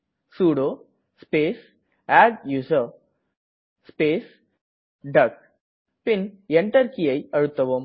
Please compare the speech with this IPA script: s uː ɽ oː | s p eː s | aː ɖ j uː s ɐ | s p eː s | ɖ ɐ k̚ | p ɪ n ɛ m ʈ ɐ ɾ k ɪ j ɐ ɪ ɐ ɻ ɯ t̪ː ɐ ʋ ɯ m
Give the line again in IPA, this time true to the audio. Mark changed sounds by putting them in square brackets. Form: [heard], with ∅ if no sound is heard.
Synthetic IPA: s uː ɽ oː | s p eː s | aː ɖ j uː s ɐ | s p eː s | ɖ ɐ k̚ | p ɪ n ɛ [ɳ] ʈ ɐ ɾ k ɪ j ɐ ɪ ɐ ɻ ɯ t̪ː ɐ ʋ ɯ m